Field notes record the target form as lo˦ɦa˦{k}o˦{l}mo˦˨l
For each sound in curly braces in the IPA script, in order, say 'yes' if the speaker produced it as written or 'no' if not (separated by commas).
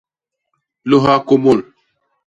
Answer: yes, no